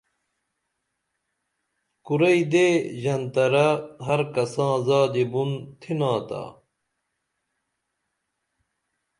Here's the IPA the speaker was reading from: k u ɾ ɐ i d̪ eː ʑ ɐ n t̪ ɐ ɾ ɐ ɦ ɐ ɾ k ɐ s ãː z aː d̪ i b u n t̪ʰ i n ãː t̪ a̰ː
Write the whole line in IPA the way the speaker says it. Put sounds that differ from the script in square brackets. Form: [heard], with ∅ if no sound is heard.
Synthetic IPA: k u ɾ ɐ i d̪ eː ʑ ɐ n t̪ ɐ ɾ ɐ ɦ ɐ ɾ k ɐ s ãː z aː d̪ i b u n t̪ʰ i n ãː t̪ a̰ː